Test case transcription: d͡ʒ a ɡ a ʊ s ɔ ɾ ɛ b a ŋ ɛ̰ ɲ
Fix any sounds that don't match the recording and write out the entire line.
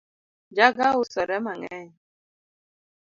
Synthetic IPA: d͡ʒ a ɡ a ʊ s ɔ ɾ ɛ m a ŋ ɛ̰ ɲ